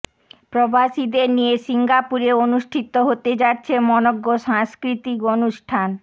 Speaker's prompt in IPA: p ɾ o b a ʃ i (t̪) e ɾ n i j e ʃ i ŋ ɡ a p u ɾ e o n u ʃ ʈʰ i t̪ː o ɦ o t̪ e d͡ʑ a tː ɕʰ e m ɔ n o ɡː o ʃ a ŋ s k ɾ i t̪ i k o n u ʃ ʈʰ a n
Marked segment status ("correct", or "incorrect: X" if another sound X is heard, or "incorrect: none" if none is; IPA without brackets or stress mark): incorrect: d̪